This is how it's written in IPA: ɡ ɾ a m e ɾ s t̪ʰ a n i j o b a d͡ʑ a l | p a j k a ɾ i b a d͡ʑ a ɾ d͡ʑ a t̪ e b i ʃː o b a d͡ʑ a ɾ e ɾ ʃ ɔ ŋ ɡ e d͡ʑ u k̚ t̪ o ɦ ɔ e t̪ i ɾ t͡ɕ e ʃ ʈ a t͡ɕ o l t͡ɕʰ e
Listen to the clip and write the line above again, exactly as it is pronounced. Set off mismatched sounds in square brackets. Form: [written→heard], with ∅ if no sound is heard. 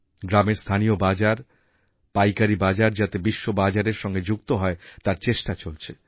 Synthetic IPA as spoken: ɡ ɾ a m e ɾ s t̪ʰ a n i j o b a d͡ʑ a [l→ɾ] | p a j k a ɾ i b a d͡ʑ a ɾ d͡ʑ a t̪ e b i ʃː o b a d͡ʑ a ɾ e ɾ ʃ ɔ ŋ ɡ e d͡ʑ u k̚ t̪ o ɦ ɔ e t̪ [i→a] ɾ t͡ɕ e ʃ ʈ a t͡ɕ o l t͡ɕʰ e